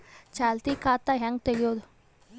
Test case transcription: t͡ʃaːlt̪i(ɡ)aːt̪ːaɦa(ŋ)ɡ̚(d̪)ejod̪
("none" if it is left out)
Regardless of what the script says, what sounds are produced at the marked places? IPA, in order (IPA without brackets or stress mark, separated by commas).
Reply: k, ŋ, t̪